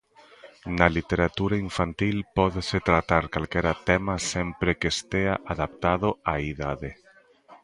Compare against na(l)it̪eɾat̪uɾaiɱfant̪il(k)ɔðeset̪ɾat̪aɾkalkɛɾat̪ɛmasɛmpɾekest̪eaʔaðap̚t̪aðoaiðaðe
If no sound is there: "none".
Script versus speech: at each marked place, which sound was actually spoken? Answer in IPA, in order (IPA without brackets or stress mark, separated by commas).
l, p